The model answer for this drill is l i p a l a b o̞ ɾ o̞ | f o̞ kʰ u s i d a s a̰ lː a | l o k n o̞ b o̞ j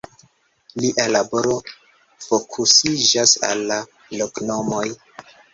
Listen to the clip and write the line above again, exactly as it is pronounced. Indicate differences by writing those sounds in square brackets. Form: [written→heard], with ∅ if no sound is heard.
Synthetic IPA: l i [p→ʔ] a l a b o̞ ɾ o̞ | f o̞ kʰ u s i [d→d͡ʒ] a s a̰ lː a | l o k n o̞ [b→m] o̞ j

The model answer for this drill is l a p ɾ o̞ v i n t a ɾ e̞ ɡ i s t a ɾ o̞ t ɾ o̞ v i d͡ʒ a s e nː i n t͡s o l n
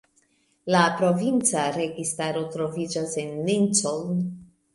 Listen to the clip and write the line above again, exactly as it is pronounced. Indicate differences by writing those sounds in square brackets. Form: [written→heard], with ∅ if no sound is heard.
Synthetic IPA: l a p ɾ o̞ v i n [t→t͡s] a ɾ e̞ ɡ i s t a ɾ o̞ t ɾ o̞ v i d͡ʒ a s e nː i n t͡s o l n

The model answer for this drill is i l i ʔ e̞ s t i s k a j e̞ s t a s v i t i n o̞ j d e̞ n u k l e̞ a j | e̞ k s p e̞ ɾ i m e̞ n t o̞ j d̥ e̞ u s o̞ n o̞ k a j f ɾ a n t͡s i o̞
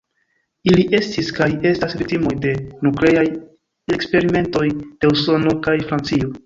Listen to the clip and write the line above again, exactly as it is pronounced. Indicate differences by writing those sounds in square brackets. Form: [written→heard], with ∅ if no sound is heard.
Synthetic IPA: i l i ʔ e̞ s t i s k a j e̞ s t a s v i t i [n→m] o̞ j d e̞ n u k l e̞ a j | e̞ k s p e̞ ɾ i m e̞ n t o̞ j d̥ e̞ u s o̞ n o̞ k a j f ɾ a n t͡s i o̞

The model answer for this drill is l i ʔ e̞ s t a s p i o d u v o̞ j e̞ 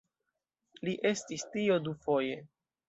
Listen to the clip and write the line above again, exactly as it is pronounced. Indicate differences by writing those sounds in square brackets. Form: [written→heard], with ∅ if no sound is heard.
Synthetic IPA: l i ʔ e̞ s t [a→i] s [p→t] i o d u [v→f] o̞ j e̞

